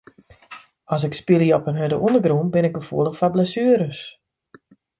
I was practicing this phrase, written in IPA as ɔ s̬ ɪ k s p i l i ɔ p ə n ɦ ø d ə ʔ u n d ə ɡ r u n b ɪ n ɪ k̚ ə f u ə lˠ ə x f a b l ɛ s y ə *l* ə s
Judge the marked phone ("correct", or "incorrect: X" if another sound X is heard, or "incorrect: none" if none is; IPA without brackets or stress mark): incorrect: ɾ